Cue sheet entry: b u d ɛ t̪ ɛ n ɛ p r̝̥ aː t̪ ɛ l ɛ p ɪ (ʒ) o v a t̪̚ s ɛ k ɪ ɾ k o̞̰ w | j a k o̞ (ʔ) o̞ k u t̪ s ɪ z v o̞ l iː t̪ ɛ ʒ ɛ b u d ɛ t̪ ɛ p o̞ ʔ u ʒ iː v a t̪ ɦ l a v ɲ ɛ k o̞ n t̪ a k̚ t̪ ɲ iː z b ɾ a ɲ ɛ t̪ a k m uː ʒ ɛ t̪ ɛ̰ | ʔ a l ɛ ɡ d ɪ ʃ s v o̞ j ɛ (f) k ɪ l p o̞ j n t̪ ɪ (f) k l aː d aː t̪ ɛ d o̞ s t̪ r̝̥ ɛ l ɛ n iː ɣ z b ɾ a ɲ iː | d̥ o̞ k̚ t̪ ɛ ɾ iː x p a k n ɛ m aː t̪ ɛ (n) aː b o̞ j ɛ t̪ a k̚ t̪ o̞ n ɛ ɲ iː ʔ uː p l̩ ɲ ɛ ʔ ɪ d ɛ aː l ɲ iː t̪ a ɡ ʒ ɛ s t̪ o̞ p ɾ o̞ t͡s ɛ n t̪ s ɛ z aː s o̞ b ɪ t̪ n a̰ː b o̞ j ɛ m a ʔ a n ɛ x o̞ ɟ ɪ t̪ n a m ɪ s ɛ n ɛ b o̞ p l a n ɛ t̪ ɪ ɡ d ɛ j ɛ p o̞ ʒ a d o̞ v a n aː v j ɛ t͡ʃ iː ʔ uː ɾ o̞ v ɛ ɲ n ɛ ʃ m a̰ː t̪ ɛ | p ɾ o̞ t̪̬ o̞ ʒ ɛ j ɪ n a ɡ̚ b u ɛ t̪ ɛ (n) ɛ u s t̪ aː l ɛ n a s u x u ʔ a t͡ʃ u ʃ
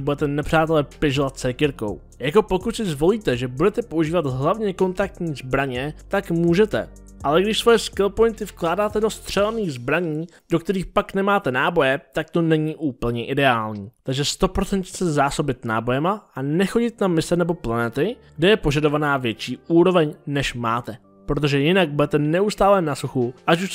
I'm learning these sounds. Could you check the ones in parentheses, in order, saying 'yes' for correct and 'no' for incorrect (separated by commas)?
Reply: yes, no, no, yes, yes, yes